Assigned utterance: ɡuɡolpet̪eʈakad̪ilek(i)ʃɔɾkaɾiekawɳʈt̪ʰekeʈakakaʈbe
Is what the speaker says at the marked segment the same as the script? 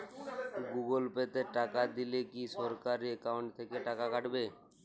yes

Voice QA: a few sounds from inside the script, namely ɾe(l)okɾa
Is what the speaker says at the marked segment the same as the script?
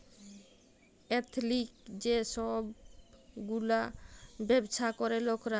yes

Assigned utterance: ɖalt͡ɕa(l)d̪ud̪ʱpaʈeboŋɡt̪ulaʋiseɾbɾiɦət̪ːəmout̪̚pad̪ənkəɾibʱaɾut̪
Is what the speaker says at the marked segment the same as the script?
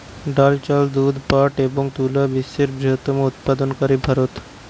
yes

